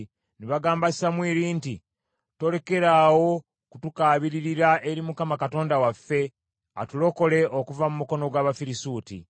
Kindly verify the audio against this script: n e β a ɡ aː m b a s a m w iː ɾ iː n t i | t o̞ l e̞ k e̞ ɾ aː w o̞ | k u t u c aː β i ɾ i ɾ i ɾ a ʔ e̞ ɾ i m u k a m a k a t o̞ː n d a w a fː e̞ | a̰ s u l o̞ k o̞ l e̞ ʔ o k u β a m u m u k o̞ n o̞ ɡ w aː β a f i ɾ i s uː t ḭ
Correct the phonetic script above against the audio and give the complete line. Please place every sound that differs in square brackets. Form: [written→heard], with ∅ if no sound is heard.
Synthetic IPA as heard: n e β a ɡ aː m b a s a m w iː ɾ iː n t i | t o̞ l e̞ k e̞ ɾ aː w o̞ | k u t u [c→k] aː β i ɾ i ɾ i ɾ a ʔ e̞ ɾ i m u k a m a k a t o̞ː n d a w a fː e̞ | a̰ [s→t] u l o̞ k o̞ l e̞ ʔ o k u [β→v] a m u m u k o̞ n o̞ ɡ w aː β a f i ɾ i s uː t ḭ